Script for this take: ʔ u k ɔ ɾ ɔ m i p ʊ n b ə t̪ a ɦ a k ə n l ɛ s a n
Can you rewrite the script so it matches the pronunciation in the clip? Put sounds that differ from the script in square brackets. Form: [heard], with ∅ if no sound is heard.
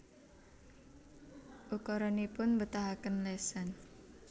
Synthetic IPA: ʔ u k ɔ ɾ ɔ [n] i p ʊ n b ə t̪ a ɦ a k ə n l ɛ s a n